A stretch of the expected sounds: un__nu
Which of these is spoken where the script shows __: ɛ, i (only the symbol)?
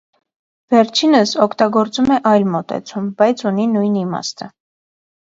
i